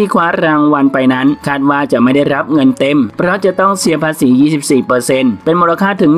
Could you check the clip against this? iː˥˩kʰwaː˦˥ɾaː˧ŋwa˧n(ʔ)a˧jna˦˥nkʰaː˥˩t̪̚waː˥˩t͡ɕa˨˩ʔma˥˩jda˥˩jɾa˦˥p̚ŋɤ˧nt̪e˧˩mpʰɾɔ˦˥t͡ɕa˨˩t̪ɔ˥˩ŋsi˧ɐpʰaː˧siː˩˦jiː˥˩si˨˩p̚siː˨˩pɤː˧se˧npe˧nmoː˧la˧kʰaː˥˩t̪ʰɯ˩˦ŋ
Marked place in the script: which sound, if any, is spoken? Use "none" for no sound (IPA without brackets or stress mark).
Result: p